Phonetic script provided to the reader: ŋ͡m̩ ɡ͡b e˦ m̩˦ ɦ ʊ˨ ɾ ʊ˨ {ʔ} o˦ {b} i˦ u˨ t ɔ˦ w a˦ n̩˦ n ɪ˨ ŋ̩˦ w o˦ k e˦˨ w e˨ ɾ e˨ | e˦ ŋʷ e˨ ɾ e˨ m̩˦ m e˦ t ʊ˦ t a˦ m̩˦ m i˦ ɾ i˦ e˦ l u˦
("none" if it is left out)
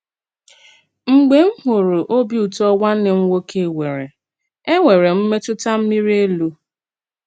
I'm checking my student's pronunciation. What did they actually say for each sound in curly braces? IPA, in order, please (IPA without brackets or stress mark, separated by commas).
ʔ, b